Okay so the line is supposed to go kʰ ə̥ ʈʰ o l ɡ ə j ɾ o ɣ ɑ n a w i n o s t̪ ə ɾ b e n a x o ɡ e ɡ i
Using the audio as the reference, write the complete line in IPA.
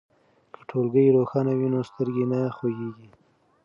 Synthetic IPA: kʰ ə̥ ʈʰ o l ɡ ə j ɾ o x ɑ n a w i n o s t̪ ə ɾ ɡ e n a x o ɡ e ɡ i